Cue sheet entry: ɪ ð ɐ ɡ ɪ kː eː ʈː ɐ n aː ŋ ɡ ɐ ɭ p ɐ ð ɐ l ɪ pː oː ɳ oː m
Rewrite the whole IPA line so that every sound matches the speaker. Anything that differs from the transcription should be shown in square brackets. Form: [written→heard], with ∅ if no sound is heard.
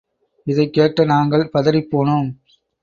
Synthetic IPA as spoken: ɪ ð ɐ [ɡ→∅] ɪ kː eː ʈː ɐ n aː ŋ ɡ ɐ ɭ p ɐ ð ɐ [l→ɾ] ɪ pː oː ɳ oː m